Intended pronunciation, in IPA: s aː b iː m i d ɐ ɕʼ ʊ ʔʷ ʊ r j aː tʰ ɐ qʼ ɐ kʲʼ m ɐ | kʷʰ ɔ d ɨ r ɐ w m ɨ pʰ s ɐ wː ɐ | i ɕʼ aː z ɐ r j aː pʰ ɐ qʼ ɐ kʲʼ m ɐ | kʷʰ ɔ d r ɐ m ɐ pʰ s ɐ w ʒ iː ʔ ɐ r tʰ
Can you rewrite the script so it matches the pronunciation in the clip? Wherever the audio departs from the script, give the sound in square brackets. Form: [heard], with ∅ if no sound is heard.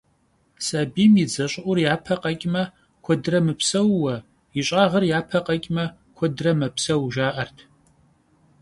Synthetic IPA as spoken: s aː b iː m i [d͡z] ɐ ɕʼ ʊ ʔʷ ʊ r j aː [pʰ] ɐ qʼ ɐ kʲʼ m ɐ | kʷʰ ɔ d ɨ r ɐ [∅] m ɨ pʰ s ɐ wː ɐ | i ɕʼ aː [ʁ] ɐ r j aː pʰ ɐ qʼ ɐ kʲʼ m ɐ | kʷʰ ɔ d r ɐ m ɐ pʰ s ɐ w ʒ [aː] ʔ ɐ r tʰ